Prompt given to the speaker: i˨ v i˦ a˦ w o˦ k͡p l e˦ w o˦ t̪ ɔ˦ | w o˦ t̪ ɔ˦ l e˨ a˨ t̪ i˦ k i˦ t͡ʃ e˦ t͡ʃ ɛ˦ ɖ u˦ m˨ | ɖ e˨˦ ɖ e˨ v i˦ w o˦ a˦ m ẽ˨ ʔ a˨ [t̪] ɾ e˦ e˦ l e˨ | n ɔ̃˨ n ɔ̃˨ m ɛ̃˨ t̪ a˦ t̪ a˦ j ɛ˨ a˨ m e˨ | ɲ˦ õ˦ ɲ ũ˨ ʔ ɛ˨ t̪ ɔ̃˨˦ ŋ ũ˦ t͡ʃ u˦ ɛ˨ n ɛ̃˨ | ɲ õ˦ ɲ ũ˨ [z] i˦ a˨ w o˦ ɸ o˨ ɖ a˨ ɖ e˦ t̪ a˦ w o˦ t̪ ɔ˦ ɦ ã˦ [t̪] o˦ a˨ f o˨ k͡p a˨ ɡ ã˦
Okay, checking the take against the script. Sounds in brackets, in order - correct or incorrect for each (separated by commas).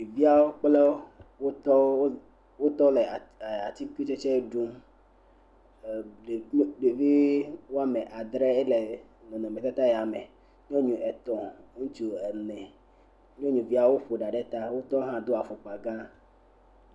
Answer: incorrect, incorrect, incorrect